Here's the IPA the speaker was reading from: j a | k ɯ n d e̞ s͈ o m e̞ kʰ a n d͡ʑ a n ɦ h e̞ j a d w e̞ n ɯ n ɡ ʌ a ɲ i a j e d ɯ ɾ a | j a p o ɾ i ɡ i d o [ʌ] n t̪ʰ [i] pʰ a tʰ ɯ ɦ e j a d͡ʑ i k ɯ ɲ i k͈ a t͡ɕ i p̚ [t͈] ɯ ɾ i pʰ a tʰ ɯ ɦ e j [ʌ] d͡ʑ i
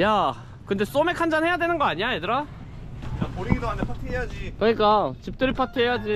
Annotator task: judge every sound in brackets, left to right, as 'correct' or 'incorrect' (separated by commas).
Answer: incorrect, incorrect, correct, incorrect